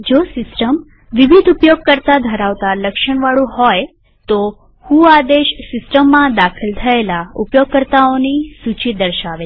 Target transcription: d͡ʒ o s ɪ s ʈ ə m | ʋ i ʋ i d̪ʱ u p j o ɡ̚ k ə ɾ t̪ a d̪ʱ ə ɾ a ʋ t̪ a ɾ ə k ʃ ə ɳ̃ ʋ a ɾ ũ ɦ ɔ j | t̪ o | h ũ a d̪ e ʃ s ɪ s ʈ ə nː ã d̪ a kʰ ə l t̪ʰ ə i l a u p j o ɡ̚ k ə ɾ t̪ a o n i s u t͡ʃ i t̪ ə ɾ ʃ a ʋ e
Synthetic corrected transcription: d͡ʒ o s ɪ s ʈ ə m | ʋ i ʋ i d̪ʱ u p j o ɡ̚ k ə ɾ t̪ a d̪ʱ ə ɾ a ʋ t̪ a l ə k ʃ ə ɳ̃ ʋ a ɭ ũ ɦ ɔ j | t̪ o | h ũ a d̪ e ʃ s ɪ s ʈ ə mː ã d̪ a kʰ ə l t̪ʰ ə e l a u p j o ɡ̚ k ə ɾ t̪ a o n i s u t͡ʃ i d̪ ə ɾ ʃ a ʋ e